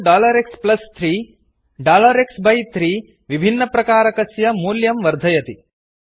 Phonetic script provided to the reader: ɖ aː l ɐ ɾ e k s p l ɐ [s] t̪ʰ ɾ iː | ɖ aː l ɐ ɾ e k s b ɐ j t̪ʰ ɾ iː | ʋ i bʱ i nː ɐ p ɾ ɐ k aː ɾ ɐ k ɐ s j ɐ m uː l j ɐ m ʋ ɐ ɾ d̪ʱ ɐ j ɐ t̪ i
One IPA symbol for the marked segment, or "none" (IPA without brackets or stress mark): s